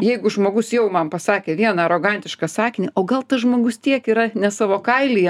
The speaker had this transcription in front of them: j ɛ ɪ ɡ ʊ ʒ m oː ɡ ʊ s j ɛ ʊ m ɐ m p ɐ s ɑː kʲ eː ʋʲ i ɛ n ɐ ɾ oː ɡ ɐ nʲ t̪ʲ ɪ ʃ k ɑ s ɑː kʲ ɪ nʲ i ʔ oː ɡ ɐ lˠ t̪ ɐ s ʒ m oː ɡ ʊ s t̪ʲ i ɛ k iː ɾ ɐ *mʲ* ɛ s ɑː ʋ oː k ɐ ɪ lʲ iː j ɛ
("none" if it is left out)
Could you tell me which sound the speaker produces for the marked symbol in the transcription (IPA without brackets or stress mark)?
nʲ